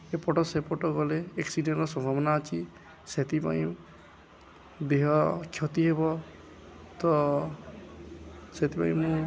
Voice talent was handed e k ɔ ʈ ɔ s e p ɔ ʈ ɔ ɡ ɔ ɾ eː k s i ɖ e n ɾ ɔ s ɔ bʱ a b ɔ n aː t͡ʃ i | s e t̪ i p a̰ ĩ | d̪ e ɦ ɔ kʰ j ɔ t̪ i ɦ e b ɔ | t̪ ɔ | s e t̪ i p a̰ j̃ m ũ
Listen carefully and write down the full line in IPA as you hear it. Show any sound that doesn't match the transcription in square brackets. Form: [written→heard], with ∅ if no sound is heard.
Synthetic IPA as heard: e [k→p] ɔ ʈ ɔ s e p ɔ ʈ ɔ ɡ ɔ [ɾ→l] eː k s i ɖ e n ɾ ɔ s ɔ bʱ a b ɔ n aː t͡ʃ i | s e t̪ i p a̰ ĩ | d̪ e ɦ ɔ kʰ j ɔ t̪ i ɦ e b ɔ | t̪ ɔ | s e t̪ i p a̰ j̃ m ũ